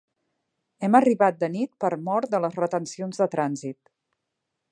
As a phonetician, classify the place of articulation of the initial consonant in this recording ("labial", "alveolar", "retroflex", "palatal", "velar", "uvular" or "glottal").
labial